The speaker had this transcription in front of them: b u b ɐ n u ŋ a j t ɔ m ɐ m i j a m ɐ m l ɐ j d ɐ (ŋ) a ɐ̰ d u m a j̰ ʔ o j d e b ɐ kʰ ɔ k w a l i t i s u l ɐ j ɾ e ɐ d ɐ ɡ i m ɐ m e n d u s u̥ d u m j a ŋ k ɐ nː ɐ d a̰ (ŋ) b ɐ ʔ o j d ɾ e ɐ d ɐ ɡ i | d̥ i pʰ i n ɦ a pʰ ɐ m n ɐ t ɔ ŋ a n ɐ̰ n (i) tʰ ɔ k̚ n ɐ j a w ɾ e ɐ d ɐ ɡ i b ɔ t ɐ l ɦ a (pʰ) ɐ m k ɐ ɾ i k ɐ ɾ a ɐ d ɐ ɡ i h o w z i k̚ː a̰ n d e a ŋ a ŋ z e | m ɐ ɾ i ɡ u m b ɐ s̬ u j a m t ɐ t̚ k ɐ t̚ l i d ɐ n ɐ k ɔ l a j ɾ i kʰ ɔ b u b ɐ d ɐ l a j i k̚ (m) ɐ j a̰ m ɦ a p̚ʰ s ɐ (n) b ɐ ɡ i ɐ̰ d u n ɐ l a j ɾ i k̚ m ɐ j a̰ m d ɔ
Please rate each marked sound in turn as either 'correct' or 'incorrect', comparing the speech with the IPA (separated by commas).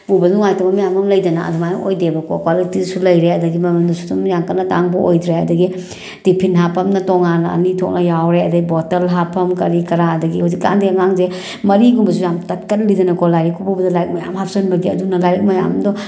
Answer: incorrect, correct, correct, correct, correct, correct